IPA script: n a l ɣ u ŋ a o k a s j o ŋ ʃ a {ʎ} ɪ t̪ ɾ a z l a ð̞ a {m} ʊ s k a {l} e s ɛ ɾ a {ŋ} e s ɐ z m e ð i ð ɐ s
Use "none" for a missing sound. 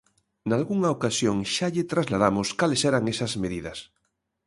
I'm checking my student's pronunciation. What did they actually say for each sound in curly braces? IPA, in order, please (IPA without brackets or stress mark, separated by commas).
ʎ, m, l, ŋ